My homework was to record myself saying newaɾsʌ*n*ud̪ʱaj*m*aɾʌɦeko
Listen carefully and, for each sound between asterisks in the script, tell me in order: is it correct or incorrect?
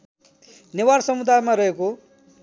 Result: incorrect: m, correct

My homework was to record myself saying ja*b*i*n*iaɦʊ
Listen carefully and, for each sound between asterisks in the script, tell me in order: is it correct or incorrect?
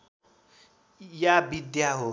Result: correct, incorrect: d

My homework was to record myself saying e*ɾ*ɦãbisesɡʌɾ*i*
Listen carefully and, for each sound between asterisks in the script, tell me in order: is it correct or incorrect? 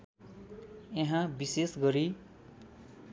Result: incorrect: none, correct

